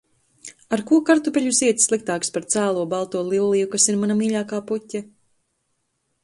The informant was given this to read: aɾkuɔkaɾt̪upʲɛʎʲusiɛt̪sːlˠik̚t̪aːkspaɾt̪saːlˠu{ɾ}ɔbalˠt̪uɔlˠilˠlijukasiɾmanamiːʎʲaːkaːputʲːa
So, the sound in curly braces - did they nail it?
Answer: no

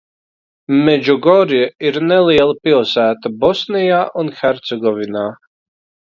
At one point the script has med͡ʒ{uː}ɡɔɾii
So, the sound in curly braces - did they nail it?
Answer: no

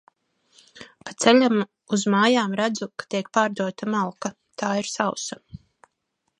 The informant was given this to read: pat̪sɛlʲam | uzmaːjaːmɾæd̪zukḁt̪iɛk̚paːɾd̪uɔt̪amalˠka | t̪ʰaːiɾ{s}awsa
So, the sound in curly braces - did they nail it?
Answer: yes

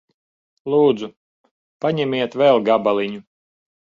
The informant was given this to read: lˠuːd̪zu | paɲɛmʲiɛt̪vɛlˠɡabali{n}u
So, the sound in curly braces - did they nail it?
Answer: no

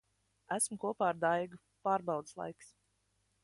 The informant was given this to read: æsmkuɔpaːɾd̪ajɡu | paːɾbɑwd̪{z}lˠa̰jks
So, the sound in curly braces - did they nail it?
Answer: no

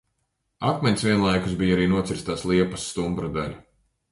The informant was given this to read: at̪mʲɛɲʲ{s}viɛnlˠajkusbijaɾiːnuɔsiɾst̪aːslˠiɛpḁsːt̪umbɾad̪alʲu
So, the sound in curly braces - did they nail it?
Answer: yes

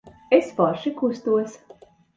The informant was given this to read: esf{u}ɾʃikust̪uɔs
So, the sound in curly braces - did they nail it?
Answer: no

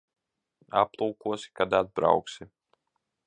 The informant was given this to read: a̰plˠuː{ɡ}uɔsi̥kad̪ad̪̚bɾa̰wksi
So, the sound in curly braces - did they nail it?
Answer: no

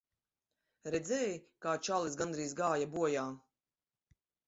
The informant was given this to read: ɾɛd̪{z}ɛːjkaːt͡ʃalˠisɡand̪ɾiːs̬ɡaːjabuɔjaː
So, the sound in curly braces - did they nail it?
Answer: yes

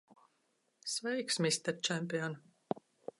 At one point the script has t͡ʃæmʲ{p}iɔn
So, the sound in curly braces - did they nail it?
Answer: yes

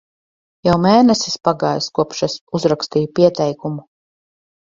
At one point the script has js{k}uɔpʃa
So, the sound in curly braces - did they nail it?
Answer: yes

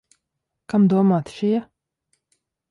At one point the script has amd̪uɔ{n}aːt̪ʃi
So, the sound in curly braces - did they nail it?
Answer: no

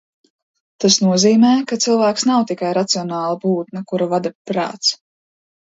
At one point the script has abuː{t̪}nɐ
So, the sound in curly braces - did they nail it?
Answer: yes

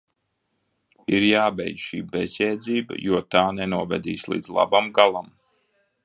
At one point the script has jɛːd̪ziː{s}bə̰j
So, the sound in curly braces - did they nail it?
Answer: no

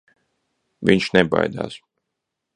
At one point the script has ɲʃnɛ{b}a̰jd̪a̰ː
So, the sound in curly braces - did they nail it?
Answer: yes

